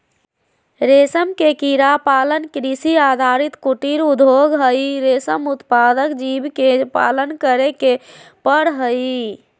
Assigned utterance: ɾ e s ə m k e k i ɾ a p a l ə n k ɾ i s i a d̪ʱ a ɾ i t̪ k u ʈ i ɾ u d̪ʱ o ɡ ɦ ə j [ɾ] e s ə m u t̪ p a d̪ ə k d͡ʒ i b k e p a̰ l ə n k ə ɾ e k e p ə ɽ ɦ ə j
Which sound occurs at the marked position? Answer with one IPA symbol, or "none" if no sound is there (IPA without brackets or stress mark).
ɾ